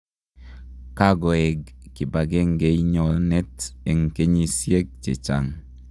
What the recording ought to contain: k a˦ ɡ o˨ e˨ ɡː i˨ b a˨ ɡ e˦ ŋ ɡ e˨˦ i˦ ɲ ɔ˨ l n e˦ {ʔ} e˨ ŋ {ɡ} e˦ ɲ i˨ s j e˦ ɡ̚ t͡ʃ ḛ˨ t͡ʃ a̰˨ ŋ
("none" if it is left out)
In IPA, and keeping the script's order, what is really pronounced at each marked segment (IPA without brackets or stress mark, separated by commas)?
t, k